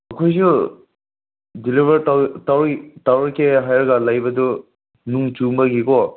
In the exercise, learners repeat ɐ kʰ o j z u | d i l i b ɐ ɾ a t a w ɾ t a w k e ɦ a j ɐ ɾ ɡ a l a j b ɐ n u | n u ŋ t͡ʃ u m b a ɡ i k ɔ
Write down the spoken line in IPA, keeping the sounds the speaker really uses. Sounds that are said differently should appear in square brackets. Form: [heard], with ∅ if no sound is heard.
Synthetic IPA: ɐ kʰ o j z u | d i l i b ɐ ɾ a t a w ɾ t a w k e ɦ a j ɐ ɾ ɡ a l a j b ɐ [d] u | n u ŋ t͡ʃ u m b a ɡ i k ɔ